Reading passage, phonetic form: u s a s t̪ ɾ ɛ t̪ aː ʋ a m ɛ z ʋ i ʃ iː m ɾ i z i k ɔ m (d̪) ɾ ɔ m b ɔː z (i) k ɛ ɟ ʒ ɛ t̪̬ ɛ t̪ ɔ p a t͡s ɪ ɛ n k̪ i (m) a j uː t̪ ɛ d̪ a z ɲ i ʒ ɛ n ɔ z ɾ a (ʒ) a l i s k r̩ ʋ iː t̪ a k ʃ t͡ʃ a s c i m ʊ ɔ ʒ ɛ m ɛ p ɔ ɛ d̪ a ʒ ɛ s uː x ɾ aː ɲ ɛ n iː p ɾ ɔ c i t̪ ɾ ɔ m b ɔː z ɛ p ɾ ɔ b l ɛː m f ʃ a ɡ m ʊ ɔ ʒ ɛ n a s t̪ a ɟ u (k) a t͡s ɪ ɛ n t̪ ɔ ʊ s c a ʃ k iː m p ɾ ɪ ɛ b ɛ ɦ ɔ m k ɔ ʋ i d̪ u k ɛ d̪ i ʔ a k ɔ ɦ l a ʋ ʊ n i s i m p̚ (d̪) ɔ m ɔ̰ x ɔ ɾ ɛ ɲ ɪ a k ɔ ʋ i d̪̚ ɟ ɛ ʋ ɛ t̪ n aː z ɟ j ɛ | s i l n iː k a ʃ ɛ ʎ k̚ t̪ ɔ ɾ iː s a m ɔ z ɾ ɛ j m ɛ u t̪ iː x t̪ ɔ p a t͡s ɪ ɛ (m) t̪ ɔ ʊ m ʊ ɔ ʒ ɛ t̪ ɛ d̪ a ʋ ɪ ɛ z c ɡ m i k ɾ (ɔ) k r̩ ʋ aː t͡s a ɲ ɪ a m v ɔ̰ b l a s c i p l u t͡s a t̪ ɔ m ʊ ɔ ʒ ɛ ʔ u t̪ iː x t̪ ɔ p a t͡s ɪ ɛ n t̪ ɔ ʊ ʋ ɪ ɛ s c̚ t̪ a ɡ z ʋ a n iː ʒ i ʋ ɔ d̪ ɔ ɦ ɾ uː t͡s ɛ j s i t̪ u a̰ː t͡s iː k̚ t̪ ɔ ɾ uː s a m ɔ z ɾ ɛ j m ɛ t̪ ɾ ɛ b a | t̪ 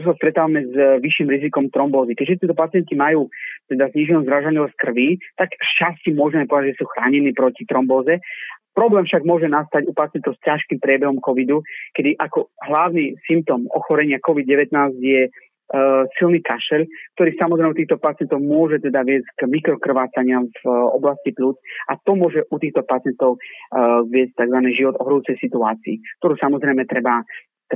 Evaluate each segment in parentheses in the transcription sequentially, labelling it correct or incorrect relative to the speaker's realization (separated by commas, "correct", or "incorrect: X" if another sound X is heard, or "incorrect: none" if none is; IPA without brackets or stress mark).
incorrect: t̪, correct, correct, correct, incorrect: p, incorrect: t̪, incorrect: n, correct